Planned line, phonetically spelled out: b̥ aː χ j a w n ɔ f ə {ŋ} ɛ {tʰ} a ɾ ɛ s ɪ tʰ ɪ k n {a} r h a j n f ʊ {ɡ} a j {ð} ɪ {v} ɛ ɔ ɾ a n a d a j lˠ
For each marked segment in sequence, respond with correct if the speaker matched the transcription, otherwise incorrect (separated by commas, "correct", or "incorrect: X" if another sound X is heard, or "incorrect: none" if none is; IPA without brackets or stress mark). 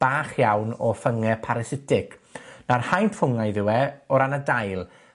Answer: correct, incorrect: pʰ, correct, incorrect: ŋ, correct, incorrect: w